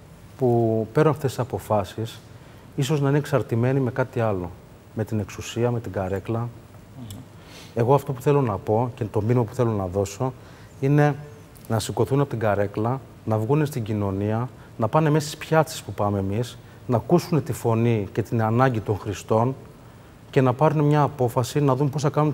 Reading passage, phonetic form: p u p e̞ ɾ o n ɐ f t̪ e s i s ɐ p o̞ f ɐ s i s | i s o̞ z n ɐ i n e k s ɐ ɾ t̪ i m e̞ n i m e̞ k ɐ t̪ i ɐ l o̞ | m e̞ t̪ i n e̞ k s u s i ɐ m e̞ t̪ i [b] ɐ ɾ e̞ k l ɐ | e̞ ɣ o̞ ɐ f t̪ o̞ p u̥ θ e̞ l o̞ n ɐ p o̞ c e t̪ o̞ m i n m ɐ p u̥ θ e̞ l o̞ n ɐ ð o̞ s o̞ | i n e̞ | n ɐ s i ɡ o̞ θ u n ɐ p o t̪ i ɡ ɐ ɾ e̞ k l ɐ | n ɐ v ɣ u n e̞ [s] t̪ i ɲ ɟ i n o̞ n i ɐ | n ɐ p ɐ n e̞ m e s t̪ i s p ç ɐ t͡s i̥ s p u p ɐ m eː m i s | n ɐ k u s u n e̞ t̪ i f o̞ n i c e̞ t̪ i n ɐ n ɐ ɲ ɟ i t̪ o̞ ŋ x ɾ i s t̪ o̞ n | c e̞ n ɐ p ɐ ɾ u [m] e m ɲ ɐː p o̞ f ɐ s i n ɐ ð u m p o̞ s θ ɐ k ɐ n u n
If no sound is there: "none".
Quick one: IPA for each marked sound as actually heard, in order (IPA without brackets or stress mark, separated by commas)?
ɡ, s, n